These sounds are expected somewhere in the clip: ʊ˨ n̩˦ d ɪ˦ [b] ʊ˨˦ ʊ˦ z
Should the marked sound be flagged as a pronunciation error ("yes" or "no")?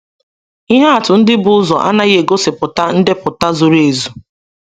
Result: no